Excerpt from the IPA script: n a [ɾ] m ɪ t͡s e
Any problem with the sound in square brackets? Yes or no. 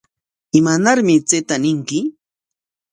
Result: no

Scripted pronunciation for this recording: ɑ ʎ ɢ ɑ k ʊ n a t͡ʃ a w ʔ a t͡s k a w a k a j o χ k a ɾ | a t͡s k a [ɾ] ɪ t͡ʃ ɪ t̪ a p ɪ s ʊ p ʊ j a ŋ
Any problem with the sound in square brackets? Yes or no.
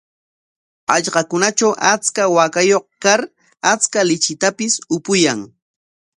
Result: yes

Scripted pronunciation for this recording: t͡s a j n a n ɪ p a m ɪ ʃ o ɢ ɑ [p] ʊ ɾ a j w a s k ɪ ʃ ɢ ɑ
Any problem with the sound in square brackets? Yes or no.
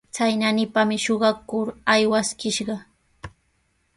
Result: yes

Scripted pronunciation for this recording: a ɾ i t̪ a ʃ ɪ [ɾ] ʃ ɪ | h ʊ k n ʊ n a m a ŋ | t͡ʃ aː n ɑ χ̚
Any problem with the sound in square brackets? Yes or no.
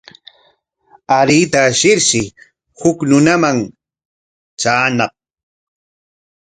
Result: no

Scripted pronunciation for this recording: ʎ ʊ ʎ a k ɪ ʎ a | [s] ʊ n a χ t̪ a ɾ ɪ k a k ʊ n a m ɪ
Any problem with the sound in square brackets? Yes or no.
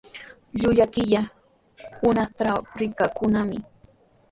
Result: yes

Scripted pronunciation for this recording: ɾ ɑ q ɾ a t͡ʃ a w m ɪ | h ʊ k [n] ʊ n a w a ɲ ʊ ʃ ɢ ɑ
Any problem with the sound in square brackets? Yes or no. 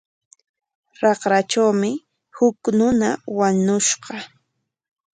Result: no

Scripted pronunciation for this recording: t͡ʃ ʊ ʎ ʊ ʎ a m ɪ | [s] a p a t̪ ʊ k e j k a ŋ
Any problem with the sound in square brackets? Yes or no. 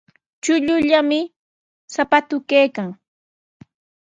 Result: no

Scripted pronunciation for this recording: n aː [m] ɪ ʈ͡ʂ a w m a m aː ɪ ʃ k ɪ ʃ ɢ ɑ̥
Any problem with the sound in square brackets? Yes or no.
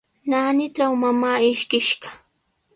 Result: yes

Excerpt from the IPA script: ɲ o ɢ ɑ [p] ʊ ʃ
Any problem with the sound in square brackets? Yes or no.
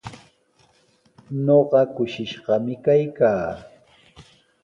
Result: yes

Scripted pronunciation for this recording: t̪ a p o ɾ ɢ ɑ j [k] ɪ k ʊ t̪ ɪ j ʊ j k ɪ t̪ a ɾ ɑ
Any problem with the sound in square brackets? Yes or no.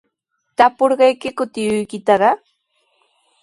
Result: no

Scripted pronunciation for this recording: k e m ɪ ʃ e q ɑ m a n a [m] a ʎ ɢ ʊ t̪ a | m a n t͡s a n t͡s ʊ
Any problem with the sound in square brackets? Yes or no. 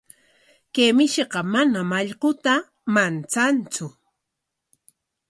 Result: no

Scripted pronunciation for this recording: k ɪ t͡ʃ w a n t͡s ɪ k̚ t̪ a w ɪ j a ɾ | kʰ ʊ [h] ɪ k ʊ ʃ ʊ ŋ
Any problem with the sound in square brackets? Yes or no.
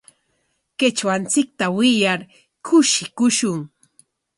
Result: yes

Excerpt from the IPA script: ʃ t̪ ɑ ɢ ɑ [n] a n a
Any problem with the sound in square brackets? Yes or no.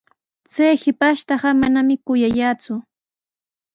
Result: yes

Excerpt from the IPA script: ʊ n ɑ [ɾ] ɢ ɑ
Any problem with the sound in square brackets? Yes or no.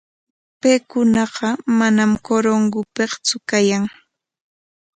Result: yes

